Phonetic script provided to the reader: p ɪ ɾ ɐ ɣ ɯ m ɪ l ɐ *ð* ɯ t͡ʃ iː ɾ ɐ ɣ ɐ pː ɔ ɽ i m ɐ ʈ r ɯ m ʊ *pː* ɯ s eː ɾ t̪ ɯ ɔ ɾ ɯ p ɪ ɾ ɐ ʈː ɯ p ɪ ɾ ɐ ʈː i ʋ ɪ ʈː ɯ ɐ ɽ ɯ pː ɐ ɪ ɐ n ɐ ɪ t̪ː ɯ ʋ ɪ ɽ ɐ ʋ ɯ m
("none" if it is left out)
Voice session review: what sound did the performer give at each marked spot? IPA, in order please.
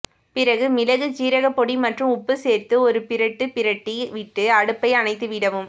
ɣ, pː

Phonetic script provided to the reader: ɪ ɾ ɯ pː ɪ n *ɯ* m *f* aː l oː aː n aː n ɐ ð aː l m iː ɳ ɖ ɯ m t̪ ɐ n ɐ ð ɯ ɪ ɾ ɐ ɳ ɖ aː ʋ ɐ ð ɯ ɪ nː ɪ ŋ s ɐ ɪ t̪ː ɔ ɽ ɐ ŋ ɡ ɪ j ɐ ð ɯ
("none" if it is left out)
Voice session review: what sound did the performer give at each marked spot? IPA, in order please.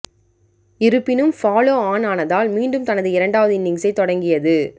ɯ, f

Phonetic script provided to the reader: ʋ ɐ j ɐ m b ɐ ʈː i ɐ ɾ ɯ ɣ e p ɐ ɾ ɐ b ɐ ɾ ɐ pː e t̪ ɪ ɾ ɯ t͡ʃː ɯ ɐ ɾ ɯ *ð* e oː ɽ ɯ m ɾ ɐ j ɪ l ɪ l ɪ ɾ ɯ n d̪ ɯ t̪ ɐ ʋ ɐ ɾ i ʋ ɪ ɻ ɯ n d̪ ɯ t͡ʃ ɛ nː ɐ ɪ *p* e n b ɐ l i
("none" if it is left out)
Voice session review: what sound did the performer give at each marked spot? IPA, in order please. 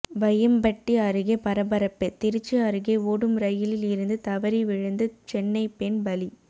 ɣ, p

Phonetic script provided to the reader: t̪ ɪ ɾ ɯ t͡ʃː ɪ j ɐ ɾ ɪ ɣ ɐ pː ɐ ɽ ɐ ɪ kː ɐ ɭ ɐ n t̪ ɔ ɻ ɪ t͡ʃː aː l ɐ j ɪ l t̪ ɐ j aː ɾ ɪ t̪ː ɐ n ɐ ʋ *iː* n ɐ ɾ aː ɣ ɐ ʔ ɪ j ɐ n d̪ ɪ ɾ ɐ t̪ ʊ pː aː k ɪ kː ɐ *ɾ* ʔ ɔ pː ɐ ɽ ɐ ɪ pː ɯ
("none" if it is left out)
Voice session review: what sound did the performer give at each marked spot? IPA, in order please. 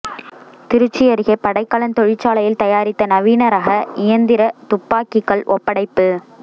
iː, ɭ

